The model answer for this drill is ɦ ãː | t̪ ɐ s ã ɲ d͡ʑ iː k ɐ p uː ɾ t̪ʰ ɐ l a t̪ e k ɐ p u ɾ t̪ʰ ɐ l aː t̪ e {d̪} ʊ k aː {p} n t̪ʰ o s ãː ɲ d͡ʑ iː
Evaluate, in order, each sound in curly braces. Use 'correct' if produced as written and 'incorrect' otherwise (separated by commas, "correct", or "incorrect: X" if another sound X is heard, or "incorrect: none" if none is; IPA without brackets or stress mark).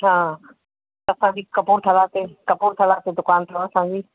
correct, incorrect: none